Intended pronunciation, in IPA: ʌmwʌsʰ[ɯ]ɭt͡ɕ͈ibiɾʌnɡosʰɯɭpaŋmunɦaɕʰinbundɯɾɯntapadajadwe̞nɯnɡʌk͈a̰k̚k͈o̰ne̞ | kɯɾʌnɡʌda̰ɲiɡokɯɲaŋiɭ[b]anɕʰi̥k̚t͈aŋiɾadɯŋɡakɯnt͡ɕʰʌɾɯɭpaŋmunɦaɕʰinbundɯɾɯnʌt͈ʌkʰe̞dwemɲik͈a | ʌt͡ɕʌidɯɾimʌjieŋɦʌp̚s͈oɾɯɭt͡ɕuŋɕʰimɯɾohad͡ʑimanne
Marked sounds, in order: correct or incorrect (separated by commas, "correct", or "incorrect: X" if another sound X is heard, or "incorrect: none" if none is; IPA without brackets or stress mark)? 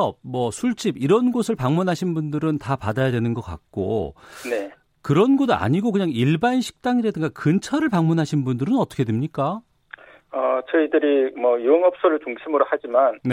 incorrect: u, correct